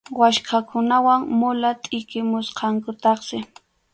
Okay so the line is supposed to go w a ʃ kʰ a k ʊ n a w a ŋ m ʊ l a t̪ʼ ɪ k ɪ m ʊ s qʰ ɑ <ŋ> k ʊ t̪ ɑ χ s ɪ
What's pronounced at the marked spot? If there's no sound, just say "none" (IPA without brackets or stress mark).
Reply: ŋ